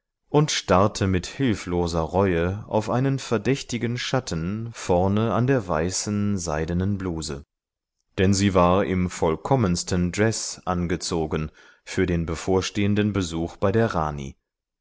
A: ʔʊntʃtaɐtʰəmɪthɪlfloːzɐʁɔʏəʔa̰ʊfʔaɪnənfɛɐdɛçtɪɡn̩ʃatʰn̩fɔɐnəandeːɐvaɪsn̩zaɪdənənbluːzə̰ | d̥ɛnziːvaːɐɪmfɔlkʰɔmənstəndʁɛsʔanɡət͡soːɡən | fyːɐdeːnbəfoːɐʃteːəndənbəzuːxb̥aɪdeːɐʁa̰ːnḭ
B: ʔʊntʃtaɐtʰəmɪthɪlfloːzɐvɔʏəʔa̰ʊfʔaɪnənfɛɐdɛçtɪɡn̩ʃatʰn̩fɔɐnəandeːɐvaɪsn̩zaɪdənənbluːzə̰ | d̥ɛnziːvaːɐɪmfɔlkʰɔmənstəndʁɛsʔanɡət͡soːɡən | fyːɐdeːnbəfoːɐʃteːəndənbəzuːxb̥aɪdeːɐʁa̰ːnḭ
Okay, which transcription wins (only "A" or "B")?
A